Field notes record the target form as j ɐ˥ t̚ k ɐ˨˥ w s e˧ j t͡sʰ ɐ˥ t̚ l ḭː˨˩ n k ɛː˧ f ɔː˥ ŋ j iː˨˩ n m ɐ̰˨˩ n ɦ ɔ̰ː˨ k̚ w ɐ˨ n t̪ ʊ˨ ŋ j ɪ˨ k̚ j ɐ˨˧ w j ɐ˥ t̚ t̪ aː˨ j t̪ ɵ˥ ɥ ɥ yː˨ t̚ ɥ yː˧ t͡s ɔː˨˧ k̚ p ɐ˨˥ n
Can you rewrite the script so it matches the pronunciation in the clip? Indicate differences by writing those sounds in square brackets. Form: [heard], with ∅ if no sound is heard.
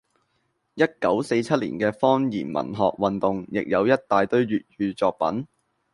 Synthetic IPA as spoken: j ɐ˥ t̚ k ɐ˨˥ w s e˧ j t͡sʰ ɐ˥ t̚ l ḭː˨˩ n k ɛː˧ f ɔː˥ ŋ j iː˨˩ n m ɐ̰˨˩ n ɦ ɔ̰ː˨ k̚ w ɐ˨ n t̪ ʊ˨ ŋ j ɪ˨ k̚ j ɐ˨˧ w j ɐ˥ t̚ t̪ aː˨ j t̪ ɵ˥ ɥ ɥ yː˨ t̚ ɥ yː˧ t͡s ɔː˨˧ k̚ p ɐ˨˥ n